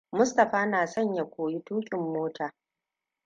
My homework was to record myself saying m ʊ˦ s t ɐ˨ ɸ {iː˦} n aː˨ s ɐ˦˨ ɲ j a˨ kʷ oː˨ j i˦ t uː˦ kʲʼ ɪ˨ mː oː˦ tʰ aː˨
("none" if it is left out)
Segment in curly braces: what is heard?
aː˦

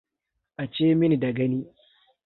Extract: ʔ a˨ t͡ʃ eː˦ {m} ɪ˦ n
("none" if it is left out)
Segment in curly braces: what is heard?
m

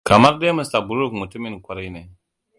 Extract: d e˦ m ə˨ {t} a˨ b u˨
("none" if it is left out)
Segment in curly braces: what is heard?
s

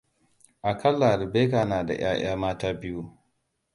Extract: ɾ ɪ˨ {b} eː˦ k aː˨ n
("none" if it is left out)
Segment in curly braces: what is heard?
b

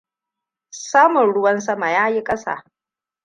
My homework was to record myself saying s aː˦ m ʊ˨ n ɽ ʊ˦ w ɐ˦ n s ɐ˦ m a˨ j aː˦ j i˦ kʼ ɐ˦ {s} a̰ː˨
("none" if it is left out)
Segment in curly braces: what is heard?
s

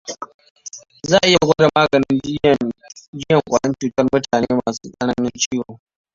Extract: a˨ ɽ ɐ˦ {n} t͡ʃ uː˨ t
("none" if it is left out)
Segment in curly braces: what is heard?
n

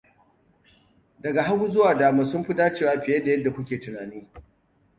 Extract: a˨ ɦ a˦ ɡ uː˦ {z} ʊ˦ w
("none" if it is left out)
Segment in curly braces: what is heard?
z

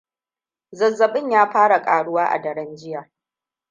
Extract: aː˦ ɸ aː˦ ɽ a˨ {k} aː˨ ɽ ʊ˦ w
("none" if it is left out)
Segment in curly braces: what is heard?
kʼ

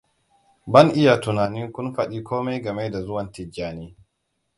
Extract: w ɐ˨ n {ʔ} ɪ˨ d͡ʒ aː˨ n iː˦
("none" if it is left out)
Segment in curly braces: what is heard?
t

